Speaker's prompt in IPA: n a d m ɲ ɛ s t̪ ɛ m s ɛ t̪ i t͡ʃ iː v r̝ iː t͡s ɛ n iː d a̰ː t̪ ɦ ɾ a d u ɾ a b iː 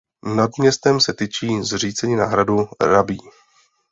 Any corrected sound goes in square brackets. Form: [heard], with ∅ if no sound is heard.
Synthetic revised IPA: n a d m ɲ ɛ s t̪ ɛ m s ɛ t̪ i t͡ʃ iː [z] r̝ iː t͡s ɛ [ɲ] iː [n] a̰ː [∅] ɦ ɾ a d u ɾ a b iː